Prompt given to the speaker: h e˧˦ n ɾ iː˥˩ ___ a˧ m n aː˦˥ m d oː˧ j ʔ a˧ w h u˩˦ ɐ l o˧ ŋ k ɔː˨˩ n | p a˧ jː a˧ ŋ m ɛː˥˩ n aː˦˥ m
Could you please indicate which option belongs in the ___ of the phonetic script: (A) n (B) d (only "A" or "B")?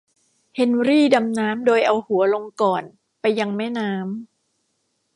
B